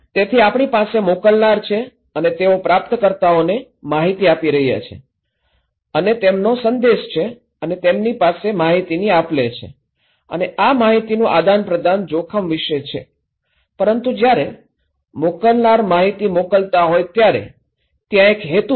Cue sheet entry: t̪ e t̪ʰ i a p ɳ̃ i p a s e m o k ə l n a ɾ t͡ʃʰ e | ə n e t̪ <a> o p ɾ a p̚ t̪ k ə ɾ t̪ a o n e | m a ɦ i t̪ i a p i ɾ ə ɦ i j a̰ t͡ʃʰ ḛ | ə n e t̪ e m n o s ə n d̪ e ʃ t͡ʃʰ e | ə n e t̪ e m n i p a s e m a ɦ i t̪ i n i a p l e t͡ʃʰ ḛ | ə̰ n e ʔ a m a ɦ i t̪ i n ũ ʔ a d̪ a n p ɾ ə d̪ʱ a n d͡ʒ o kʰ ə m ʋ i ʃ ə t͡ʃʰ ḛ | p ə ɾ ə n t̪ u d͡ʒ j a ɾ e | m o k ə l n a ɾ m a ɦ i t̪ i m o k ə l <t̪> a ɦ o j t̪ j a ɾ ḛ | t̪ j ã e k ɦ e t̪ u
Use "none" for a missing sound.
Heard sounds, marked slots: e, t̪

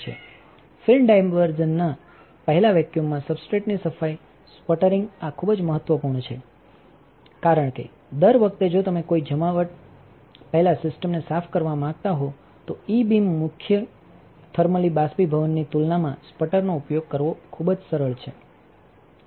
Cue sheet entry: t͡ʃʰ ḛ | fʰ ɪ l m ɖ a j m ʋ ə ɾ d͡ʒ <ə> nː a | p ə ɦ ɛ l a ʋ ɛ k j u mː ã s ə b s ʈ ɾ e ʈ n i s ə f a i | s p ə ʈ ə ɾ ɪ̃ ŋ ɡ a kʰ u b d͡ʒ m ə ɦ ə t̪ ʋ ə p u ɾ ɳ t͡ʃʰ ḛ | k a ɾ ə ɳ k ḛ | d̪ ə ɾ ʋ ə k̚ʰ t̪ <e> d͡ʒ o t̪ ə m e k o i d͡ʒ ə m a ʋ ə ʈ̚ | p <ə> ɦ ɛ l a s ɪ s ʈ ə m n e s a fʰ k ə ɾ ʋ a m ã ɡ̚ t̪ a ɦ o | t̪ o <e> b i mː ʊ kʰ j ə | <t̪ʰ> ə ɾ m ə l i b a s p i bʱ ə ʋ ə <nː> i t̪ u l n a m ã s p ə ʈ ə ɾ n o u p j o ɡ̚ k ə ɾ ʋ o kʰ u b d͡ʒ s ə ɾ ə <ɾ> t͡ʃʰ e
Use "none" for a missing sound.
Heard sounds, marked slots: ə, e, ə, i, t̪ʰ, nː, ɭ

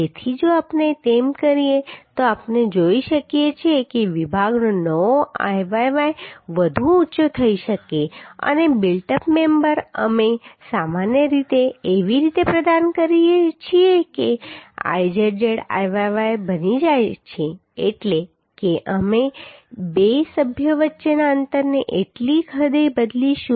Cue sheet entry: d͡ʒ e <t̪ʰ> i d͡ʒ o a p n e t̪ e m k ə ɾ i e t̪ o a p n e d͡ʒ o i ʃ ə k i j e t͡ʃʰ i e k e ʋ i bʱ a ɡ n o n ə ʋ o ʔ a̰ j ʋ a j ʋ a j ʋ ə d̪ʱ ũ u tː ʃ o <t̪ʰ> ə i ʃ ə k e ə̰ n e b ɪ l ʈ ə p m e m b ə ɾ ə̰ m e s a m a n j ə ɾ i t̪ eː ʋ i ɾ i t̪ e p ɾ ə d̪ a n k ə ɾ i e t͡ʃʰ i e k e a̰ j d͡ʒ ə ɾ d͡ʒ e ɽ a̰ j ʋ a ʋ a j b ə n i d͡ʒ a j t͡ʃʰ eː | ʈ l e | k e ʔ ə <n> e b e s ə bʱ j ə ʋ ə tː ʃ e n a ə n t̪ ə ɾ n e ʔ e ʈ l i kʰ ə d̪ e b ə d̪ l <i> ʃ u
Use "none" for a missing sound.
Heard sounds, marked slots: t̪ʰ, t̪ʰ, m, i

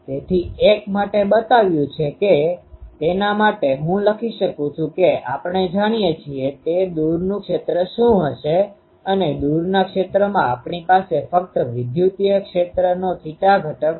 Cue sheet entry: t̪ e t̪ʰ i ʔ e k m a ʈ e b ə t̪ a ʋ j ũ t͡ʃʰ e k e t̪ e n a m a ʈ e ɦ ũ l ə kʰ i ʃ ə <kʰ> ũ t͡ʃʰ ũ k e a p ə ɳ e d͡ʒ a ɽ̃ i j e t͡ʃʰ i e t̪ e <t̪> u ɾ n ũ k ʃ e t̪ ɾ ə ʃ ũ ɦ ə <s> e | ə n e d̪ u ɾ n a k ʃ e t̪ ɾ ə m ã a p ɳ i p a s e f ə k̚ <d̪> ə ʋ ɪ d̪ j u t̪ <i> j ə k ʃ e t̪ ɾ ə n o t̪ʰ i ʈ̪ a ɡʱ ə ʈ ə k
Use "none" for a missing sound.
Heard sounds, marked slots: k, d̪, ʃ, t̪, i

